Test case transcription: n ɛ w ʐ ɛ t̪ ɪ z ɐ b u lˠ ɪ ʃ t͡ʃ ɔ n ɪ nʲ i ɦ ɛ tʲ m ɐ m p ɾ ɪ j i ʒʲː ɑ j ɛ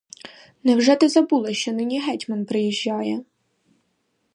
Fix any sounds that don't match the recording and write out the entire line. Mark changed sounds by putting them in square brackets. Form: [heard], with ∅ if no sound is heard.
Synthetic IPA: n ɛ w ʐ ɛ t̪ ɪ z ɐ b u lˠ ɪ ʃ t͡ʃ ɔ n ɪ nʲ i ɦ ɛ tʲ m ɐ [n] p ɾ ɪ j i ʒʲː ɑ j ɛ